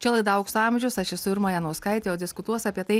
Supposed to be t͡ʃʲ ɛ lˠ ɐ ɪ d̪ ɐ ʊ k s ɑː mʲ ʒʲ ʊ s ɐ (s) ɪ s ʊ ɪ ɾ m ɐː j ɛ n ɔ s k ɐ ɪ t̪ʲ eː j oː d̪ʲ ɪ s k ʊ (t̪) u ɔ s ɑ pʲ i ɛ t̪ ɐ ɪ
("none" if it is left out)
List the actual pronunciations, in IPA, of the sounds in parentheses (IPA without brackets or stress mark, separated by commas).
ʃ, t̪